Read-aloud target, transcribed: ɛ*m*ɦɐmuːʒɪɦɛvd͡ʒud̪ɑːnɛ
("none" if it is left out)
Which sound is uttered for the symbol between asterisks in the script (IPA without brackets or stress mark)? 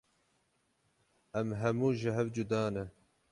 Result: m